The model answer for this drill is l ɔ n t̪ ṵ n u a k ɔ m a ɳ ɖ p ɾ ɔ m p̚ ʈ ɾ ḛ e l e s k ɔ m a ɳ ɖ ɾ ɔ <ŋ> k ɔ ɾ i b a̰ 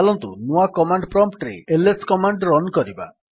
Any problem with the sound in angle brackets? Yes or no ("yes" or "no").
yes